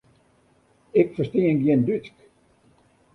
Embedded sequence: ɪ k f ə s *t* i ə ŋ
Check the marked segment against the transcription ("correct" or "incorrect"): correct